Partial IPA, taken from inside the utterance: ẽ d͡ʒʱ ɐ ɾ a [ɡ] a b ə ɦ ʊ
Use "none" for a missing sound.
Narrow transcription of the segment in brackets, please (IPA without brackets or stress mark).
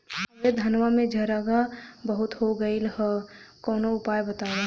ɡ